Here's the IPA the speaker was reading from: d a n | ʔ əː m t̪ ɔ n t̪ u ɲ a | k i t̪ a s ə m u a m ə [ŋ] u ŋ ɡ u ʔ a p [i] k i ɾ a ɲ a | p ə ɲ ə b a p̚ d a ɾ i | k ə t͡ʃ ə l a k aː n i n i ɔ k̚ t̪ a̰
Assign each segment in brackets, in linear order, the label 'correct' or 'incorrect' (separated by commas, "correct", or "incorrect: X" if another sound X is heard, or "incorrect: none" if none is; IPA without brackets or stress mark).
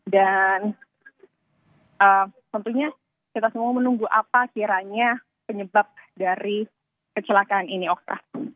incorrect: n, incorrect: a